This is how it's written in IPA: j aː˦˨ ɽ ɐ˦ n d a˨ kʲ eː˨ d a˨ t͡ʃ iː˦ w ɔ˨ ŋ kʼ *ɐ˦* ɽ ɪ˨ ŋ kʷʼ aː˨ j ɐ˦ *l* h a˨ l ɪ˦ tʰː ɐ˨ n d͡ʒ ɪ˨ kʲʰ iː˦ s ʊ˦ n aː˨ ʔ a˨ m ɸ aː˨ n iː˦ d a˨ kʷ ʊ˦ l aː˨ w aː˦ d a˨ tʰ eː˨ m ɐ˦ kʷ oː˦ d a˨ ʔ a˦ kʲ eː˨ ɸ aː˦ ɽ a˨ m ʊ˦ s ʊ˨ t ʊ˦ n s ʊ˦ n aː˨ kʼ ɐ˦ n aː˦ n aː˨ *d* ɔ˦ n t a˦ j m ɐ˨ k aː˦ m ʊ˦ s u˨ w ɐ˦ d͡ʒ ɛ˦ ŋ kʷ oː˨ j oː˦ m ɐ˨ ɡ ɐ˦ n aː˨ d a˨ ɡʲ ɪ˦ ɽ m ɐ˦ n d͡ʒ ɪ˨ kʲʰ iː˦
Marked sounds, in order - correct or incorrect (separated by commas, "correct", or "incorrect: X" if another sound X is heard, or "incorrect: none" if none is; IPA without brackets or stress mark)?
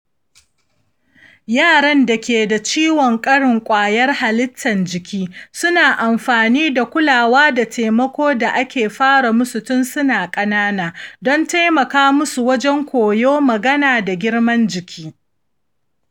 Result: correct, incorrect: r, correct